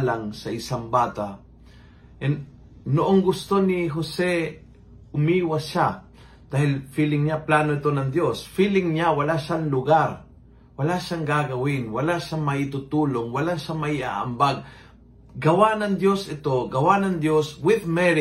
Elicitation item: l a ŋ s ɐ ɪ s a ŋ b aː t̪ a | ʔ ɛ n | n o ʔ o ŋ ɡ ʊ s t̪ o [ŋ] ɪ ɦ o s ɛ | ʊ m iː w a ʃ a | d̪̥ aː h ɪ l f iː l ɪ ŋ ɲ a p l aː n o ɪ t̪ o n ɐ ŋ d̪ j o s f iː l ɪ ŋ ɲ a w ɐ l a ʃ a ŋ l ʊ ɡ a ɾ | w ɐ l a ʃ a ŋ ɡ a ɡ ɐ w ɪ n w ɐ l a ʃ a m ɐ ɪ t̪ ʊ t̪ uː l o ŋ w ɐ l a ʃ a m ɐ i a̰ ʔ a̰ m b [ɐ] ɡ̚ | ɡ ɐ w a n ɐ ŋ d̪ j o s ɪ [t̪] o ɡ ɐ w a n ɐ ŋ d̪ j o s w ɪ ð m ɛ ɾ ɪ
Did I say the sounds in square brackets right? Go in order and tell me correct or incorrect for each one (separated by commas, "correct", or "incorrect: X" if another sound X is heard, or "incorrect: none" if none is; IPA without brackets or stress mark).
incorrect: n, incorrect: a, correct